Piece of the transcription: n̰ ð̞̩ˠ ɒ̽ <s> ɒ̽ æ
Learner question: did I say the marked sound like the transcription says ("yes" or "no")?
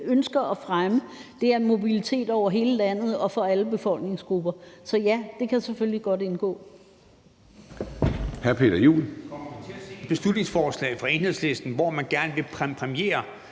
no